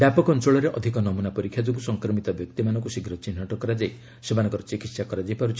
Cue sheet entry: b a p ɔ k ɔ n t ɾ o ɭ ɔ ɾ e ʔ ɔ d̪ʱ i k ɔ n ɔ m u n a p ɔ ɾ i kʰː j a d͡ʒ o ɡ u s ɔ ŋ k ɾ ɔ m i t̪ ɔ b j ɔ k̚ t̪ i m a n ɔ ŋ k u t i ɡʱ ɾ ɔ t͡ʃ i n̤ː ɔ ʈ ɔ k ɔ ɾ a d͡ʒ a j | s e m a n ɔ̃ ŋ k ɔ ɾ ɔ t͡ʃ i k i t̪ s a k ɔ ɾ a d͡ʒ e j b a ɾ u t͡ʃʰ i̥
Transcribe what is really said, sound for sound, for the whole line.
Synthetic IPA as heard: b a p ɔ k ɔ n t ɾ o ɭ ɔ ɾ e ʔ ɔ d̪ʱ i k ɔ n ɔ m u n a p ɔ ɾ i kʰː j a d͡ʒ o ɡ u s ɔ ŋ k ɾ ɔ m i t̪ ɔ b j ɔ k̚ t̪ i m a n ɔ ŋ k u s i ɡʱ ɾ ɔ t͡ʃ i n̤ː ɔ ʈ ɔ k ɔ ɾ a d͡ʒ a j | s e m a n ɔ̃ ŋ k ɔ ɾ ɔ t͡ʃ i k i t̪ s a k ɔ ɾ a d͡ʒ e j p a ɾ u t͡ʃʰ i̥